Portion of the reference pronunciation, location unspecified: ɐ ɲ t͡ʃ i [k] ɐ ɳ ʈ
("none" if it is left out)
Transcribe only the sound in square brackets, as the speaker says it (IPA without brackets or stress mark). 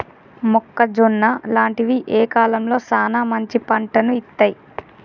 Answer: p